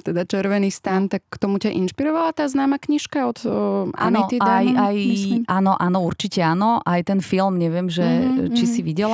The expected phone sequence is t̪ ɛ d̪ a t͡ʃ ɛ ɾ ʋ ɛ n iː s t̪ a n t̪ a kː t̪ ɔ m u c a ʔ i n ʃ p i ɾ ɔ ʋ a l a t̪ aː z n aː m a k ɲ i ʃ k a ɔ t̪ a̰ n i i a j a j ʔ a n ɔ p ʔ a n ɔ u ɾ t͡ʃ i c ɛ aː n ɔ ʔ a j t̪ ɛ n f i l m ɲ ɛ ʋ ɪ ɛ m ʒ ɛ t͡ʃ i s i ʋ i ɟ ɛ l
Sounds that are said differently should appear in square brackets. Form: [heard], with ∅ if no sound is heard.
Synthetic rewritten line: t̪ ɛ d̪ a t͡ʃ ɛ ɾ ʋ ɛ n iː s t̪ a n t̪ a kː t̪ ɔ m u c a ʔ i n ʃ p i ɾ ɔ ʋ a l a t̪ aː z n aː m a k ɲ i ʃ k a ɔ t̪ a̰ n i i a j a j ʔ a n ɔ [∅] ʔ a n ɔ u ɾ t͡ʃ i c ɛ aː n ɔ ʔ a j t̪ ɛ n f i l m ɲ ɛ ʋ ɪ ɛ m ʒ ɛ t͡ʃ i s i ʋ i ɟ ɛ l